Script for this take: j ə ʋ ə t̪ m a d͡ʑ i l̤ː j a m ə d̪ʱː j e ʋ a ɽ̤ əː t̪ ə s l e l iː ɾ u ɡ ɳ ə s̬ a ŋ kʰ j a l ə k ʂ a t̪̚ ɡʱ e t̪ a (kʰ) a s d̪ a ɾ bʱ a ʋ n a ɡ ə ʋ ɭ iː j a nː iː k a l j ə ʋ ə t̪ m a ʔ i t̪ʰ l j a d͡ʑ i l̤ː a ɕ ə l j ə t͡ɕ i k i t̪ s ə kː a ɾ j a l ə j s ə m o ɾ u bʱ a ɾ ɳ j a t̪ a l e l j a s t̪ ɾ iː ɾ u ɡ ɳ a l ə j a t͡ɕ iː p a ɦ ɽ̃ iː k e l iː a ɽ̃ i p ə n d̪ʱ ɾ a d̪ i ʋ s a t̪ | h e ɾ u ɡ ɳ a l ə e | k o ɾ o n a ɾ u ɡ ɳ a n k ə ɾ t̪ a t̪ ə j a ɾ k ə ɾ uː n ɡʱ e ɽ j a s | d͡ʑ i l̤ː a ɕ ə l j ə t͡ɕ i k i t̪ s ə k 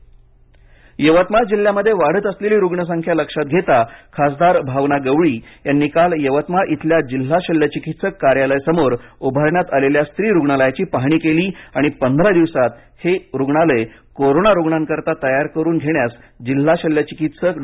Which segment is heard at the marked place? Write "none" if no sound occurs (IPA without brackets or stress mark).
kʰ